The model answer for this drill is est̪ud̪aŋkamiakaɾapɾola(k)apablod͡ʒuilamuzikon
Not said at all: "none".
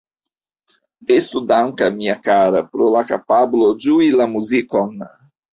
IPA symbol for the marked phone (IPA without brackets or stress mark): k